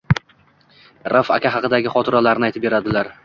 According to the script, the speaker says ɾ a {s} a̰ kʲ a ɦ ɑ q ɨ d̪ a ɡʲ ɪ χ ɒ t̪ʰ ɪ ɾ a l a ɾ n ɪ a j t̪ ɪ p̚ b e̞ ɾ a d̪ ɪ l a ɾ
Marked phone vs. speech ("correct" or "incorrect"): incorrect